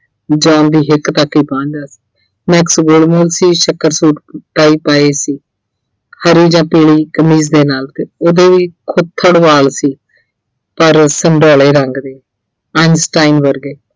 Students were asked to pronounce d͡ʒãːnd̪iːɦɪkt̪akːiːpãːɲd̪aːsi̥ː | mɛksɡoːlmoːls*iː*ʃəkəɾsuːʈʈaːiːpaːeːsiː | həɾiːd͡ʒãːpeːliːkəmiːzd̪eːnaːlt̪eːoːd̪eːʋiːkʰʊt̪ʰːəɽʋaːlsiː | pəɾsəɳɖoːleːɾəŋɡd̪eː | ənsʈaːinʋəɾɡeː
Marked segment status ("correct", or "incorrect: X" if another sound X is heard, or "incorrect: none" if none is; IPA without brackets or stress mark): correct